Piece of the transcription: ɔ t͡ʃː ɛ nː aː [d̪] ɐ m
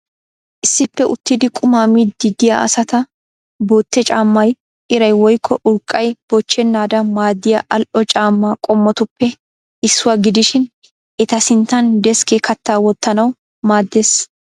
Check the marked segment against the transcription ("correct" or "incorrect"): correct